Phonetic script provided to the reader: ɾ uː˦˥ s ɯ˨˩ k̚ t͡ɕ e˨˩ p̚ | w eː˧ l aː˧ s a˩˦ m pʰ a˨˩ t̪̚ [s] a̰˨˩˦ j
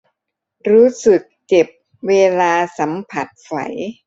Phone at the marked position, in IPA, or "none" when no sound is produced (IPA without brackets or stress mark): f